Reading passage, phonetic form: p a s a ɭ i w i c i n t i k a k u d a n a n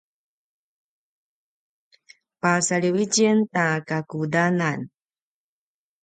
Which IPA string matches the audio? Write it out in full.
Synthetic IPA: p a s a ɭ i w i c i n t a k a k u d a n a n